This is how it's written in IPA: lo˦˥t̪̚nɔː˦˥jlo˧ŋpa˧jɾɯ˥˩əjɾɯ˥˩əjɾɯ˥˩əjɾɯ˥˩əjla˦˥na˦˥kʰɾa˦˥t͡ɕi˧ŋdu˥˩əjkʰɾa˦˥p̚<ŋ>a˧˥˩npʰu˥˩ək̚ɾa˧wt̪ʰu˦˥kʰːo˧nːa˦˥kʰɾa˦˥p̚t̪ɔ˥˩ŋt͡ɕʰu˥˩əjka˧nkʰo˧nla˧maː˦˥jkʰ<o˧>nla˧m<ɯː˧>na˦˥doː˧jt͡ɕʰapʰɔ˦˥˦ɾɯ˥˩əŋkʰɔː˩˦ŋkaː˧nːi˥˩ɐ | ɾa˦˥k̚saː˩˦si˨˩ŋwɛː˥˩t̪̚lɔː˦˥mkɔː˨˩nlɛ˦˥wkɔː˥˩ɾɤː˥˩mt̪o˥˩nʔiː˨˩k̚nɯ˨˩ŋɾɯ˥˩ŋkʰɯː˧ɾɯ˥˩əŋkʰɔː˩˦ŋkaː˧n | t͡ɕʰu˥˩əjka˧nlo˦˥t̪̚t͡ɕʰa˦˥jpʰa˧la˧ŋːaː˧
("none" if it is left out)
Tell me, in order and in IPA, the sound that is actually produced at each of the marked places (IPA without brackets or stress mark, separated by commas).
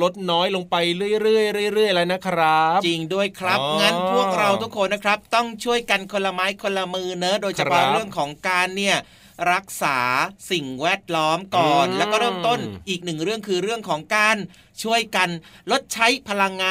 ŋ, o˧, ɯː˧